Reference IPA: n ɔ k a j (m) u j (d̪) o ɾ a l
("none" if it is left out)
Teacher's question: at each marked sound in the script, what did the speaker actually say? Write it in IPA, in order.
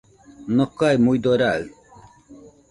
m, d̪

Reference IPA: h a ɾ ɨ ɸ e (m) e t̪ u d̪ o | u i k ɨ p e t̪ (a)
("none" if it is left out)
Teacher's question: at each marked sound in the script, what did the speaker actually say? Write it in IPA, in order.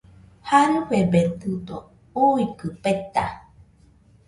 b, a

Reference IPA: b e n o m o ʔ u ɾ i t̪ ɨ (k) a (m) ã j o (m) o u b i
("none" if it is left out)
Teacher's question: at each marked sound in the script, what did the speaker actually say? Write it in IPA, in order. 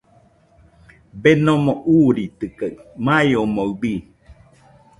k, m, m

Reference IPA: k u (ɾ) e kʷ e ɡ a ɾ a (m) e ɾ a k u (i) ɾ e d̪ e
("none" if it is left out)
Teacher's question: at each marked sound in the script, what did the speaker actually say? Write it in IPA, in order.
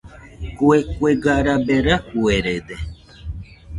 none, b, e

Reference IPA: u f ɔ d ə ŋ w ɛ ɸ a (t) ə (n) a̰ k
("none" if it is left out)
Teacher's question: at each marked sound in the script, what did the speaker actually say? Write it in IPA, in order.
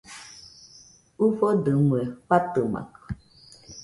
t, m

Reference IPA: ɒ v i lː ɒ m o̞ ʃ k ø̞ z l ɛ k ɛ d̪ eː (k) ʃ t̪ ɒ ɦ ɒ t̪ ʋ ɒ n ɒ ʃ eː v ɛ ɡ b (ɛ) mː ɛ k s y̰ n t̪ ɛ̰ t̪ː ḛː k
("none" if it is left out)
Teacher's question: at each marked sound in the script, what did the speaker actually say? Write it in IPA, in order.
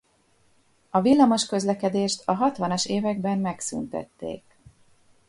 none, ɛ

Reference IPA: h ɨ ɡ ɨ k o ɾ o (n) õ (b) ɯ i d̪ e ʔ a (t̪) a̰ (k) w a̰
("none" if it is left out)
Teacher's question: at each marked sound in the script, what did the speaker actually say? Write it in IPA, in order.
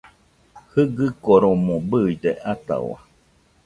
m, b, t̪, none

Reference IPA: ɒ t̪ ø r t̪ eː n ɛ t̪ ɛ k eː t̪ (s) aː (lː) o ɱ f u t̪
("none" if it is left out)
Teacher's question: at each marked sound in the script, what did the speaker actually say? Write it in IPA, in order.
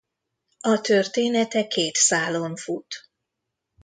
s, l

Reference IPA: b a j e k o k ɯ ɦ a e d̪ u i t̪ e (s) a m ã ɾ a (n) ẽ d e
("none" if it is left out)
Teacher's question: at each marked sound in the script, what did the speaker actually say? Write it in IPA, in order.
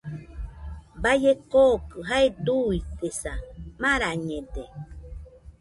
s, ɲ

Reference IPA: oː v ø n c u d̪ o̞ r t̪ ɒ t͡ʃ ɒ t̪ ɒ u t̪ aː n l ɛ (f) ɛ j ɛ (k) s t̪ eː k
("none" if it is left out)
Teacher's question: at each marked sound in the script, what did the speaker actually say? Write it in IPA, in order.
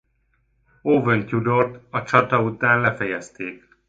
f, none

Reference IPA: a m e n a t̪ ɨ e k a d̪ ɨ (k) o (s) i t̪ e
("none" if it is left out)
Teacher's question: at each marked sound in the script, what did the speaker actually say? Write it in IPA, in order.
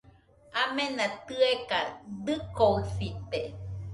k, s

